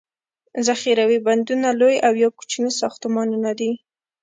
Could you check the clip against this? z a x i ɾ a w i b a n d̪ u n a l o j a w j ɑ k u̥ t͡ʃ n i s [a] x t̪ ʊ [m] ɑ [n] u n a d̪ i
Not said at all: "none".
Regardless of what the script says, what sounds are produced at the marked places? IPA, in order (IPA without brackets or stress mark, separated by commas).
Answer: ɑ, m, n